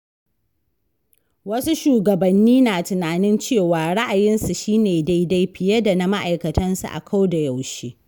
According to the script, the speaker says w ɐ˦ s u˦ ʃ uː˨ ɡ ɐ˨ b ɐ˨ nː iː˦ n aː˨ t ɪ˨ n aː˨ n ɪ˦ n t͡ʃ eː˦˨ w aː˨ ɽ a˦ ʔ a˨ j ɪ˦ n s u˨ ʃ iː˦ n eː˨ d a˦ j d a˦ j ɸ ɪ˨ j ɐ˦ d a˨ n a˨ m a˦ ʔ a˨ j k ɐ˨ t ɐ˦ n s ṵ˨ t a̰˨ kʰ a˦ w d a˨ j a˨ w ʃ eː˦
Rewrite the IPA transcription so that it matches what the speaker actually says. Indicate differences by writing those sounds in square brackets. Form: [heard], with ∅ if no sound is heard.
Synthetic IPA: w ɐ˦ s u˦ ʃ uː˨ ɡ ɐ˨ b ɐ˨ nː iː˦ n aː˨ t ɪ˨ n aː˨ n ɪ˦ n t͡ʃ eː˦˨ w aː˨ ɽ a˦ ʔ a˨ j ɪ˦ n s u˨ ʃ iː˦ n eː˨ d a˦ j d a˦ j ɸ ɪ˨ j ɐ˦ d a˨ n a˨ m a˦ ʔ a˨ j k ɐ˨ t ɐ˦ n s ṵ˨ [ʔ] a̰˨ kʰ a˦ w d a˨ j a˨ w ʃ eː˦